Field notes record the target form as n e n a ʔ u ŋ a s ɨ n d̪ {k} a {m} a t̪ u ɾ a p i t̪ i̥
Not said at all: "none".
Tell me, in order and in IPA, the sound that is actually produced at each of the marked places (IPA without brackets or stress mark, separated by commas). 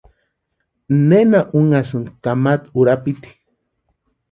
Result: k, m